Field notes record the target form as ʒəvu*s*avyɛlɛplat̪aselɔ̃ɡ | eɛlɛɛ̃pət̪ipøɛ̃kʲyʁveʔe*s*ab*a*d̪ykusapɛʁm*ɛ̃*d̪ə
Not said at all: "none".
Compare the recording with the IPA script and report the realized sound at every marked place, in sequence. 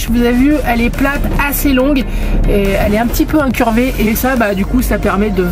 z, s, a, ɛ

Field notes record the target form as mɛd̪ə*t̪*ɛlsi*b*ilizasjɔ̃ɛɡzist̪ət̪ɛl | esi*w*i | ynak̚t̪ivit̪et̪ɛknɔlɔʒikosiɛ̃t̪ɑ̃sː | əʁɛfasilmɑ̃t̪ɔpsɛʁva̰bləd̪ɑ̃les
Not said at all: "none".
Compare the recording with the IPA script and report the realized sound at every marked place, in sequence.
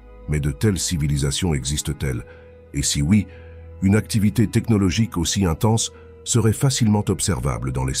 t̪, v, w

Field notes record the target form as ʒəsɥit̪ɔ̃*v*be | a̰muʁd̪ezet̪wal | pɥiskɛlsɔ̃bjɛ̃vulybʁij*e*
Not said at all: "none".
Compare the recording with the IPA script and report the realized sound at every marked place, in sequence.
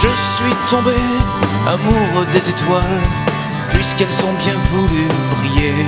none, e

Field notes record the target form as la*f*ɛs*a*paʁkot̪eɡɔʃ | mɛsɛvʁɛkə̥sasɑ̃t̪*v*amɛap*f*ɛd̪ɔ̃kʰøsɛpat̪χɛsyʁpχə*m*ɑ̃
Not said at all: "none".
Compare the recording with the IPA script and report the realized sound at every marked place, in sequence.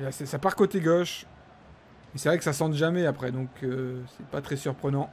s, a, ʒ, χ, n

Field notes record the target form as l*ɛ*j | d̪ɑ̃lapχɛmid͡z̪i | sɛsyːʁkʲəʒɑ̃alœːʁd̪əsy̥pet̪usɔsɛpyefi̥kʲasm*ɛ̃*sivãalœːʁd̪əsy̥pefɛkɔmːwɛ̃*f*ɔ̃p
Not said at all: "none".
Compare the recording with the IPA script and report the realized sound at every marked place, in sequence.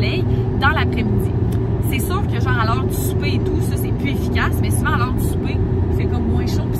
ɛ, ɛ, ʃ

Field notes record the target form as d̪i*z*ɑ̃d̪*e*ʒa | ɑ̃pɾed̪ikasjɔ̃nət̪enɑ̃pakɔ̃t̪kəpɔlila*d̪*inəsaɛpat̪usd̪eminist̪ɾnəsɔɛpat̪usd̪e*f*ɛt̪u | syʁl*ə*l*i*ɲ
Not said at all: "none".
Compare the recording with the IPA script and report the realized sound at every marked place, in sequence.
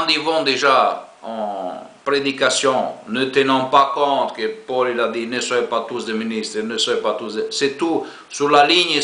v, e, d̪, s, a, i

